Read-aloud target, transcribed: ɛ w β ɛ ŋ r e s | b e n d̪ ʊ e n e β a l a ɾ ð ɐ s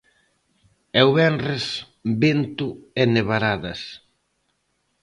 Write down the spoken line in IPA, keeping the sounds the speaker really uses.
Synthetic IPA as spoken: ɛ w β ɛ n r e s | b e n t̪ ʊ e n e β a ɾ a ð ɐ s